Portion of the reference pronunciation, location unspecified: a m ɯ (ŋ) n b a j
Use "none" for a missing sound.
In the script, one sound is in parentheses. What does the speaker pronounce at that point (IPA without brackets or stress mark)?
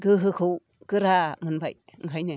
none